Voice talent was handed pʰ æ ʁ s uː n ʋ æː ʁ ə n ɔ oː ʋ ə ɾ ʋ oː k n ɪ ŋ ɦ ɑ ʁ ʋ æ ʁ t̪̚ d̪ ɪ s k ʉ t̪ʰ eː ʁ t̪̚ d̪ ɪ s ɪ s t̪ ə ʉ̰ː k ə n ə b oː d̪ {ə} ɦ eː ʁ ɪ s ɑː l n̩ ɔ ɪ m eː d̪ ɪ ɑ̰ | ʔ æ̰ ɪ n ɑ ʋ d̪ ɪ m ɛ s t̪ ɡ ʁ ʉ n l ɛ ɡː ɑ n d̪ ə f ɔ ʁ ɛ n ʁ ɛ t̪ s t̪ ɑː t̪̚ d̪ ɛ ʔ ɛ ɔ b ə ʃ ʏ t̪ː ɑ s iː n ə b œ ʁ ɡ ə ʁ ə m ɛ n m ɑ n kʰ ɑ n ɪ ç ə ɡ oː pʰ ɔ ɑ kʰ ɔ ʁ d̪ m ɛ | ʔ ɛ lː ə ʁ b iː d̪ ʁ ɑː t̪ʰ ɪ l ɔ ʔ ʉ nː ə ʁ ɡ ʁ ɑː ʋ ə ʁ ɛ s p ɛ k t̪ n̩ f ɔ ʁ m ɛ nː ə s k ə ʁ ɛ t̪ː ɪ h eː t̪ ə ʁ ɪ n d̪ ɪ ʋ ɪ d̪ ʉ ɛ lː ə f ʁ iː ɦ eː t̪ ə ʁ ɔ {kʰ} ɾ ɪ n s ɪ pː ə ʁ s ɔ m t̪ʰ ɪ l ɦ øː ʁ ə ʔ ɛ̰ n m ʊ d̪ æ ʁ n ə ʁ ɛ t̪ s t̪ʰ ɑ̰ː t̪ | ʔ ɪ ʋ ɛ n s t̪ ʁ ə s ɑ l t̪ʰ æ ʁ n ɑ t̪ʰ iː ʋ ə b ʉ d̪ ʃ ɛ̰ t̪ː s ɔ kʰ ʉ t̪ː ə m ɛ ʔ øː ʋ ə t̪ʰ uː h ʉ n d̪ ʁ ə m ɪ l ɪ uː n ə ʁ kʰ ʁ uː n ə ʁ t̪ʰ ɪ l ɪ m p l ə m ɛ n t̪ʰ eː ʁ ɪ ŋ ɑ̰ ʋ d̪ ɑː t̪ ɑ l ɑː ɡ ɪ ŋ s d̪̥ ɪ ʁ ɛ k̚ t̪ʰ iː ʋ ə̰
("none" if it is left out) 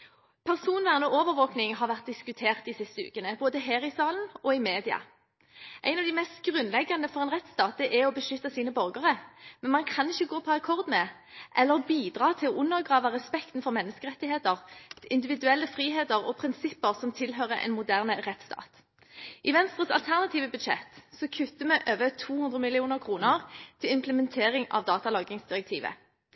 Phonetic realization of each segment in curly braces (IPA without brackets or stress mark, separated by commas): ə, pʰ